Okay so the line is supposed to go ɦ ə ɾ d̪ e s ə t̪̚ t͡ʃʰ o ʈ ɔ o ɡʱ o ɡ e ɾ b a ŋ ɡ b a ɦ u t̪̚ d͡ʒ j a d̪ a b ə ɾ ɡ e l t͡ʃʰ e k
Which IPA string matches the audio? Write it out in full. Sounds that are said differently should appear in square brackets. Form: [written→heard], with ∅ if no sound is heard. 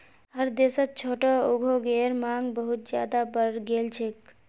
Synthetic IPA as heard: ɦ ə ɾ d̪ e s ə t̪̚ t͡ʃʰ o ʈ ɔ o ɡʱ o ɡ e ɾ [b→m] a ŋ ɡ b [a→ə] ɦ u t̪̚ d͡ʒ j a d̪ a b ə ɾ ɡ e l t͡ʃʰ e k